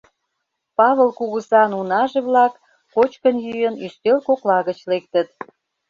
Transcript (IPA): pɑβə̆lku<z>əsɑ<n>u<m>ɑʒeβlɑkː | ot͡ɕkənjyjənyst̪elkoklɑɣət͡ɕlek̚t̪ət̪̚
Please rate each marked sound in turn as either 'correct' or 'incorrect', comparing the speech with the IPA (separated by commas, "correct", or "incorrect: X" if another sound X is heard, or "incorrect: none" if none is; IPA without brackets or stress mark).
incorrect: ɣ, correct, incorrect: n